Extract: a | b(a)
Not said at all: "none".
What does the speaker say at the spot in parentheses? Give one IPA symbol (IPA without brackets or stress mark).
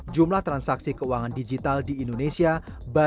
a